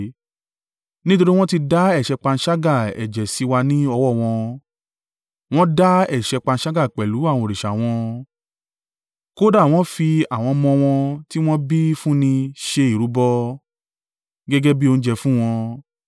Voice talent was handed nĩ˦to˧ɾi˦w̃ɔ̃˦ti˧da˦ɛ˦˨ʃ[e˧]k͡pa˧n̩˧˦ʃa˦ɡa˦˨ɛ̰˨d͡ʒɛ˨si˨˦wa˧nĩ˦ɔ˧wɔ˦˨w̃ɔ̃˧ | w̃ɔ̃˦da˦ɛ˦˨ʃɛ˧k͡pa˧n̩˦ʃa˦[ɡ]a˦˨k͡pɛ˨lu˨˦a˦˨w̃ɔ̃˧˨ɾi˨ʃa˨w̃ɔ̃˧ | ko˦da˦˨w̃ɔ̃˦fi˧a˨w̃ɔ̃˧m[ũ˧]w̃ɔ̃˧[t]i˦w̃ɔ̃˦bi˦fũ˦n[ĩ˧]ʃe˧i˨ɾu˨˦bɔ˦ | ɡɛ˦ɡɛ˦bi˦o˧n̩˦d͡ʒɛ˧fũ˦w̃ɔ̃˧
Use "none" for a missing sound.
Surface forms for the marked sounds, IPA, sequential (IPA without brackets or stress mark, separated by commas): ɛ˧, ɡ, ɔ̃˧, t, ĩ˧